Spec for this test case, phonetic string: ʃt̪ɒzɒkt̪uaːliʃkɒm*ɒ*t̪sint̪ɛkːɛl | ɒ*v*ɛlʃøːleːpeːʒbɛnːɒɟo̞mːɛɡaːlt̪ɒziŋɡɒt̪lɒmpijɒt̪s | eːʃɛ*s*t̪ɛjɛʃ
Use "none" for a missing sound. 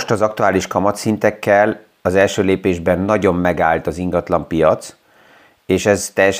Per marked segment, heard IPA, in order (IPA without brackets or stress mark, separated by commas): ɒ, z, z